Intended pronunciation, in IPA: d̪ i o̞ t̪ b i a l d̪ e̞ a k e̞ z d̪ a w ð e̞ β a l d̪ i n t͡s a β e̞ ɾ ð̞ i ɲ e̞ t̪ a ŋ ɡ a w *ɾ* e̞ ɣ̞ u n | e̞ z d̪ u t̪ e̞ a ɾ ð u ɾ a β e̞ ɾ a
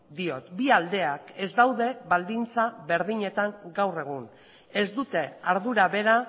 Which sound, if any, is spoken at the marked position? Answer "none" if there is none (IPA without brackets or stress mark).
r